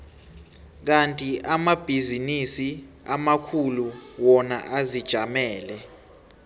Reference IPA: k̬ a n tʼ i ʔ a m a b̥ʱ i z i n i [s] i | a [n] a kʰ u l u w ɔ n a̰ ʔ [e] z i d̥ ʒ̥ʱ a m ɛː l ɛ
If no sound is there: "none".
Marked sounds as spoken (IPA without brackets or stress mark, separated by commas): s, m, a